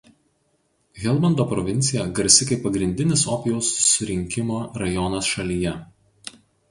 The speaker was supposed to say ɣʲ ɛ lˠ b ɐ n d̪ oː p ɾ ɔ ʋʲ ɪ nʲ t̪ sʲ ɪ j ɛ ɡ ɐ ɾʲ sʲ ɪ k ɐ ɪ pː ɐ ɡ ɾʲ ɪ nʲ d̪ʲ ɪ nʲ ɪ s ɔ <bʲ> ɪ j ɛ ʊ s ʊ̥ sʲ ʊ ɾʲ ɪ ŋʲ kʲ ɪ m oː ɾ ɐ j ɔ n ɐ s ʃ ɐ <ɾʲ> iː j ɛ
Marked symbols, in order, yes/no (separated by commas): no, no